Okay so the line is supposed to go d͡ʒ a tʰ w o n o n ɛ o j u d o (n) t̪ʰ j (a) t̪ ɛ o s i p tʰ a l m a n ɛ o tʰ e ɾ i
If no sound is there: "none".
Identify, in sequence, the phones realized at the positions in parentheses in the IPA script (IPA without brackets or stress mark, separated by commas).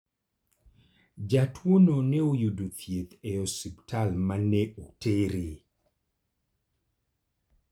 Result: none, e